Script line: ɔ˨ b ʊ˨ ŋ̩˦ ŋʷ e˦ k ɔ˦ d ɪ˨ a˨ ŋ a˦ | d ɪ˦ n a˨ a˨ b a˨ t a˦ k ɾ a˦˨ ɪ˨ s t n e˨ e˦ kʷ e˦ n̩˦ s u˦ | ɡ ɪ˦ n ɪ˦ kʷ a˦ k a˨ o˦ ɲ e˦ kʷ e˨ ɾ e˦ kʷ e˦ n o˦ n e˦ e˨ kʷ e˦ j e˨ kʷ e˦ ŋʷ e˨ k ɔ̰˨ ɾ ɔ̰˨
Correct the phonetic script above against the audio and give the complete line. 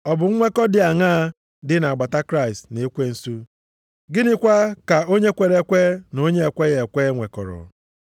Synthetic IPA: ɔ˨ b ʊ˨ ŋ̩˦ ŋʷ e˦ k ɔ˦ d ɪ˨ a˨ ŋ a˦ | d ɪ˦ n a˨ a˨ ɡ͡b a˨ t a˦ k ɾ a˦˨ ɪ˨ s t n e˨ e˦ kʷ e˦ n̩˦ s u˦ | ɡ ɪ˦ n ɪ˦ kʷ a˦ k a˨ o˦ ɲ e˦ kʷ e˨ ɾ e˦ kʷ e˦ n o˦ ɲ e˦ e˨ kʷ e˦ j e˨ kʷ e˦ ŋʷ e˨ k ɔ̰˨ ɾ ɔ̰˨

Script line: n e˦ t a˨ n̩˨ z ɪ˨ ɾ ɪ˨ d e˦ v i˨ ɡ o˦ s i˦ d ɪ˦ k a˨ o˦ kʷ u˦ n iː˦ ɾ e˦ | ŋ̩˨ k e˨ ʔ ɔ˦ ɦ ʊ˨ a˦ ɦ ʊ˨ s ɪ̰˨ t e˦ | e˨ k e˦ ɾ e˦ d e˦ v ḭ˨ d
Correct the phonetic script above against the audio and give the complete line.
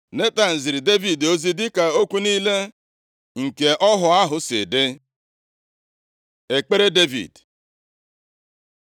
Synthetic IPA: n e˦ t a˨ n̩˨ z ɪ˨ ɾ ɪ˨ d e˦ v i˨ d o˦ z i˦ d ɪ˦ k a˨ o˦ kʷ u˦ n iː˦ l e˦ | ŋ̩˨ k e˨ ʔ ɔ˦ ɦ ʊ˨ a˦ ɦ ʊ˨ s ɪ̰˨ d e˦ | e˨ k͡p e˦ ɾ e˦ d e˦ v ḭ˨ d

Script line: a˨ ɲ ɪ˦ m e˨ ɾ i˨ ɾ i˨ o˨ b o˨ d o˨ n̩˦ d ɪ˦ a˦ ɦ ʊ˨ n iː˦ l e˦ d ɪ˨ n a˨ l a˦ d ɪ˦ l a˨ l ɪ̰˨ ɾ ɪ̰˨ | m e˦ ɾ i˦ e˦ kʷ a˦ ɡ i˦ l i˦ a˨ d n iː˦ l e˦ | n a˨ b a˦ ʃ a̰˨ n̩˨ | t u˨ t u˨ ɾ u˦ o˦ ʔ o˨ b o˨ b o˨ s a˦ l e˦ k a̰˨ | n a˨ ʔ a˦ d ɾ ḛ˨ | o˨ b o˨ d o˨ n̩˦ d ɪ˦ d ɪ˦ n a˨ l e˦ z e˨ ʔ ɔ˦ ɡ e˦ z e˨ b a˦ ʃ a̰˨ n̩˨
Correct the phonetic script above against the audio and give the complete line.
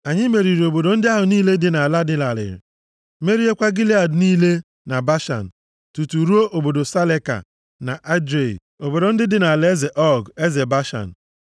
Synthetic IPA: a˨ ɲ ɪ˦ m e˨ ɾ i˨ ɾ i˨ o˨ b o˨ d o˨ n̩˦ d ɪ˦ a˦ ɦ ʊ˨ n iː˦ l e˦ d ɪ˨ n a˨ l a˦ d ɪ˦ l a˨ l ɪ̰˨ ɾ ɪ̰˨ | m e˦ ɾ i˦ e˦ kʷ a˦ ɡ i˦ l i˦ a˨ d n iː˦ l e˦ | n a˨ b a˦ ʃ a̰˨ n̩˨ | t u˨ t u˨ ɾ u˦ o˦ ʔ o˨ b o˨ d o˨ s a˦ l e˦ k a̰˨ | n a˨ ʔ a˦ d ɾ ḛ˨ | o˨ b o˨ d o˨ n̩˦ d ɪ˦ d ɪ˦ n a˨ l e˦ z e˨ ʔ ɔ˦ ɡ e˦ z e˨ b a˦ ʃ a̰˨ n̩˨

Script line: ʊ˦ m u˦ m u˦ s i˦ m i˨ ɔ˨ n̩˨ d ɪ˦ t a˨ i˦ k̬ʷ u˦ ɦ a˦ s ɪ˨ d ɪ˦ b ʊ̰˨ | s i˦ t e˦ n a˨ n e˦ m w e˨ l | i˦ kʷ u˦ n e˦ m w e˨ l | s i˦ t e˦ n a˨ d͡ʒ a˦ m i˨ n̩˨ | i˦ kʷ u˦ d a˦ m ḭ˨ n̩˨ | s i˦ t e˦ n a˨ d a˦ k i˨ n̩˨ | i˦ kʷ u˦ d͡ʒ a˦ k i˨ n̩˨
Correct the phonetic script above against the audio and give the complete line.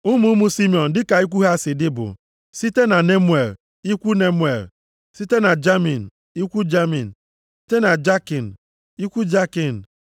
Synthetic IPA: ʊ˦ m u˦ m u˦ s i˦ m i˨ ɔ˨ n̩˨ d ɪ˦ k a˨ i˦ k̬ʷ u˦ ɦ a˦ s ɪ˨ d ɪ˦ b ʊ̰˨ | s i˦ t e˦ n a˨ n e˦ m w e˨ l | i˦ kʷ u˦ n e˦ m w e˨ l | s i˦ t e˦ n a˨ d͡ʒ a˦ m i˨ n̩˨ | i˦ kʷ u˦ d͡ʒ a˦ m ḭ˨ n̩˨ | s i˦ t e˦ n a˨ d͡ʒ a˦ k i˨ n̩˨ | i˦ kʷ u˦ d͡ʒ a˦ k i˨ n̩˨

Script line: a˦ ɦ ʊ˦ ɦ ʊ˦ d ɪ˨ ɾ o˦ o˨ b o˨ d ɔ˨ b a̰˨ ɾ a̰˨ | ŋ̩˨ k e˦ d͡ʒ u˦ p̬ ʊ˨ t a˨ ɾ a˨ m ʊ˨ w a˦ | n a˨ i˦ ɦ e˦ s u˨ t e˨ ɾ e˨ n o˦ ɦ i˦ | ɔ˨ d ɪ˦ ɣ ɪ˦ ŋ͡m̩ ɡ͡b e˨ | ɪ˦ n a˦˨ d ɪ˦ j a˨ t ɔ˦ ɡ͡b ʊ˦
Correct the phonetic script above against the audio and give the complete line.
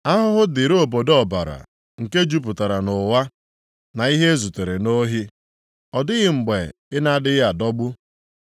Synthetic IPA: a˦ ɦ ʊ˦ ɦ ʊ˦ d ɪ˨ ɾ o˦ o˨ b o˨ d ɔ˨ b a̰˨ ɾ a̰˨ | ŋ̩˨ k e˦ d͡ʒ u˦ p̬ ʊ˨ t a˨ ɾ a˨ n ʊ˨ w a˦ | n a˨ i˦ ɦ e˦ z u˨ t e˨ ɾ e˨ n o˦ ɦ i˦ | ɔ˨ d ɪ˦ ɣ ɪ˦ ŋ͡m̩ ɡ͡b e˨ | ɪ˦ n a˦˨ d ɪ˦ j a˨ d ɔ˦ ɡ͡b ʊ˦

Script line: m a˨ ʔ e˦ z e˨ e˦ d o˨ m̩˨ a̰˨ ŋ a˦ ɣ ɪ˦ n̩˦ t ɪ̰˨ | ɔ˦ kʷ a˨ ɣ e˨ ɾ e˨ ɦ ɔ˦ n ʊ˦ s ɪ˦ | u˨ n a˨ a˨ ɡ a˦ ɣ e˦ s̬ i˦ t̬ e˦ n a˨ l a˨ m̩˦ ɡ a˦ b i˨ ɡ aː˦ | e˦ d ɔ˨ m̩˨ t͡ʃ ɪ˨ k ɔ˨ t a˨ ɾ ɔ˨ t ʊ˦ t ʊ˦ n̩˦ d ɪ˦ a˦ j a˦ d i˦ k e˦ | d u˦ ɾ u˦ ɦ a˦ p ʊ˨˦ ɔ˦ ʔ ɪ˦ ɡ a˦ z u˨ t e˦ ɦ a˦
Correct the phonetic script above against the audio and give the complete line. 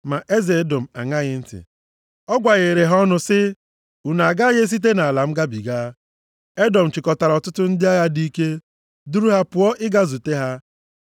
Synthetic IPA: m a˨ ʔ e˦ z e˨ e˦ d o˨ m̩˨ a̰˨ ŋ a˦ ɣ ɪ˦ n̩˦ t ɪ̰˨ | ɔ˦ ɡʷ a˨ ɣ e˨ ɾ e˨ ɦ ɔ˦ n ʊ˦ s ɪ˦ | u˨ n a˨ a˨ ɡ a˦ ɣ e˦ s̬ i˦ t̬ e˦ n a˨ l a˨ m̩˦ ɡ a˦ b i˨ ɡ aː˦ | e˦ d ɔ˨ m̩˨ t͡ʃ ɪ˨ k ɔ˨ t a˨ ɾ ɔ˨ t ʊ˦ t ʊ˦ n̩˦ d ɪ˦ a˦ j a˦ d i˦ k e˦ | d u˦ ɾ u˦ ɦ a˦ p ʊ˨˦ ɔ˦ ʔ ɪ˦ ɡ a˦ z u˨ t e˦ ɦ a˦

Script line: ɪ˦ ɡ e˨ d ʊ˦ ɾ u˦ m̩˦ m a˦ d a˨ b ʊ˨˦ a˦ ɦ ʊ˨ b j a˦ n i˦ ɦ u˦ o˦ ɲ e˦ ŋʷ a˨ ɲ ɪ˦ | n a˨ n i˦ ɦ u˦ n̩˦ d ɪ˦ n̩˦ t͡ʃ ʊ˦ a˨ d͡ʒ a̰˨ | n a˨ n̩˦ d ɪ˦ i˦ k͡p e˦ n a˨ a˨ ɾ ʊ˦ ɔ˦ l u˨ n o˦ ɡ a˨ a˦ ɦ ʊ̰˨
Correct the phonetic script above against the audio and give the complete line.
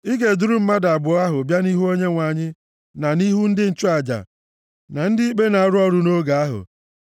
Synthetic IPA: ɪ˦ ɡ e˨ d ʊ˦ ɾ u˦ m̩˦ m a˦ d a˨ b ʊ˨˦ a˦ ɦ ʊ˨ b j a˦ n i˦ ɦ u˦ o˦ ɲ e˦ ŋʷ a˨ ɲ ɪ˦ | n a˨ n i˦ ɦ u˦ n̩˦ d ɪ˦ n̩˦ t͡ʃ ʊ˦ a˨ d͡ʒ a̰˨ | n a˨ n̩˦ d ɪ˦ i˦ k͡p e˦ n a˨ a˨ ɾ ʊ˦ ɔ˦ ɾ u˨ n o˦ ɡ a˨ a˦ ɦ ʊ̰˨

